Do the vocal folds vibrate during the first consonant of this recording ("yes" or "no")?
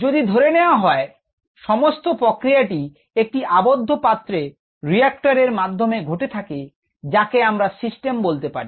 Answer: yes